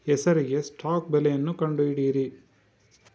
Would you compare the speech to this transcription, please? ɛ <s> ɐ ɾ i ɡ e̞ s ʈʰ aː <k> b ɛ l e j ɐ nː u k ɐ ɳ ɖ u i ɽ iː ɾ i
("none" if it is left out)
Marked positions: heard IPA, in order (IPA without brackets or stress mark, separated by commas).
s, k